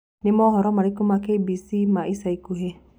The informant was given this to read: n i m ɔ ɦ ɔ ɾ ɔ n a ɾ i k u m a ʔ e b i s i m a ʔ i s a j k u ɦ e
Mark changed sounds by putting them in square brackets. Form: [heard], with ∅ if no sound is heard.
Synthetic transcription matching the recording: n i m ɔ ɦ ɔ ɾ ɔ [m] a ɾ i k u m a [k] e b i s i m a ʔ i s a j k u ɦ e